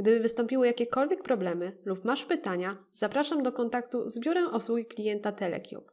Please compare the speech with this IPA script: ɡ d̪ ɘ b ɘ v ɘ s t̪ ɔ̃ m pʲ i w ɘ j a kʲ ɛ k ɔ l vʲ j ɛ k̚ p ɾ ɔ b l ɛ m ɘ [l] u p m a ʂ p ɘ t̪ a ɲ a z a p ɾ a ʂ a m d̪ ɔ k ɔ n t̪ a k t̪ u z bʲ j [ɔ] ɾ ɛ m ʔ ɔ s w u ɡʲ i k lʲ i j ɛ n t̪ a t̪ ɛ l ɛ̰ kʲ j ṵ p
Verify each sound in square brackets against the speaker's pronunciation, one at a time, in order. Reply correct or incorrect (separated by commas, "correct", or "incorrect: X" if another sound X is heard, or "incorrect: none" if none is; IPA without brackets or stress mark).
correct, incorrect: u